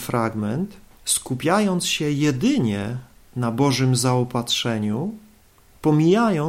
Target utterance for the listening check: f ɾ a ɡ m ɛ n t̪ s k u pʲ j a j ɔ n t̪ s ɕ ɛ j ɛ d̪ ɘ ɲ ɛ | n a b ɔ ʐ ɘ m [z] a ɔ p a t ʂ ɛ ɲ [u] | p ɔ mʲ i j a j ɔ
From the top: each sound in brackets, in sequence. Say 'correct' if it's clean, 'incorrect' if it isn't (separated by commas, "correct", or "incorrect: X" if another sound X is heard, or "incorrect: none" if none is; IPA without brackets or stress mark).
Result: correct, correct